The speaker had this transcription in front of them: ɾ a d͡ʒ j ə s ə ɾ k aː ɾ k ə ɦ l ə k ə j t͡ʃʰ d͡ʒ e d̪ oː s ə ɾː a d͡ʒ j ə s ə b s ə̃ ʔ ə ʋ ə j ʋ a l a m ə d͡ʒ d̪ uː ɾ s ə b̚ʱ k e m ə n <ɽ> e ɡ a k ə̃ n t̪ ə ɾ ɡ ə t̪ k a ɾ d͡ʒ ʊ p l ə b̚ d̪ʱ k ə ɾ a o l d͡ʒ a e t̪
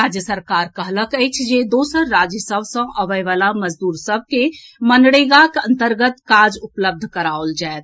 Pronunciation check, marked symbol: correct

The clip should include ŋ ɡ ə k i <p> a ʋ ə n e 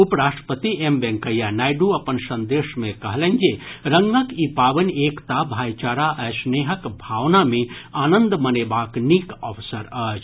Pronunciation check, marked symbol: correct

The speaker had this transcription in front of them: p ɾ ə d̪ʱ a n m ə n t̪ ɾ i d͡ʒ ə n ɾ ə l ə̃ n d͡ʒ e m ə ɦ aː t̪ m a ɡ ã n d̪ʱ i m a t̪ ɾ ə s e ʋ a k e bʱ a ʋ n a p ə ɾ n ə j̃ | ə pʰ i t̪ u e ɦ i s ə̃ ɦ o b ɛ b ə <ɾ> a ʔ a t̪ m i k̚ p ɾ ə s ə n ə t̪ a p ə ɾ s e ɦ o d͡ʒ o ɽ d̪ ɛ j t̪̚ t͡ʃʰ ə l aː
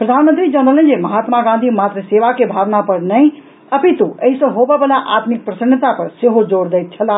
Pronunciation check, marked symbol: incorrect: l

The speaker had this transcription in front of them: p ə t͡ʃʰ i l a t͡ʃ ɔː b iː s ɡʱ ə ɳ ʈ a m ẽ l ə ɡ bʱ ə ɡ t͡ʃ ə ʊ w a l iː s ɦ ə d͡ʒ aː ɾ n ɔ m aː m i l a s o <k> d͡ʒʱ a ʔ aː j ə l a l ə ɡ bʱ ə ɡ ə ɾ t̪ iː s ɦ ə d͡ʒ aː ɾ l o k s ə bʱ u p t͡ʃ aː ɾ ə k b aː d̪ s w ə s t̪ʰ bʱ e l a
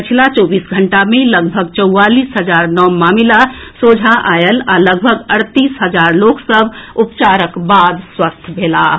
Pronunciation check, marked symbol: incorrect: none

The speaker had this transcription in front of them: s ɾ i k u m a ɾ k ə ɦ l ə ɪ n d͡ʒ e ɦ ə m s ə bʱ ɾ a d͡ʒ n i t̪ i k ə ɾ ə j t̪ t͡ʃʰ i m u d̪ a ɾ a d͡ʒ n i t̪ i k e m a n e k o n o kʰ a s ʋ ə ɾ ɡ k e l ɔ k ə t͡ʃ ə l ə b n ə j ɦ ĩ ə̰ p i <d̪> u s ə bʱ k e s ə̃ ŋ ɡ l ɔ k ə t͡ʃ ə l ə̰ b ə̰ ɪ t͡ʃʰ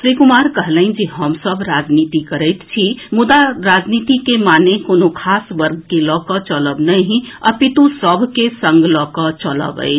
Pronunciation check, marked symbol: incorrect: t̪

